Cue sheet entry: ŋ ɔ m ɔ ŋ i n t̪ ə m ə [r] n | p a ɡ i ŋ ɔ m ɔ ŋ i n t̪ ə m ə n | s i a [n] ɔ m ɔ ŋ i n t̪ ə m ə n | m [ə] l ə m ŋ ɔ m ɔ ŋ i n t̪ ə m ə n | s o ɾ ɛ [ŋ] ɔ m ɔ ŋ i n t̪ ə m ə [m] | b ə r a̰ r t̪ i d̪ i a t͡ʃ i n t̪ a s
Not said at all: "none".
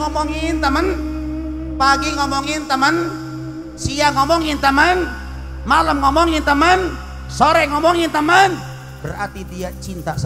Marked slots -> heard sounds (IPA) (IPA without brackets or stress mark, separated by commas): none, ŋ, a, ŋ, n